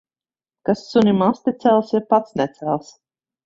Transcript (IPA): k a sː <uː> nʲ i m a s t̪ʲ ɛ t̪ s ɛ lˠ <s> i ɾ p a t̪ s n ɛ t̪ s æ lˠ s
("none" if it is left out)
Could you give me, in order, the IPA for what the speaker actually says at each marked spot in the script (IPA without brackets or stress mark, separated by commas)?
u, s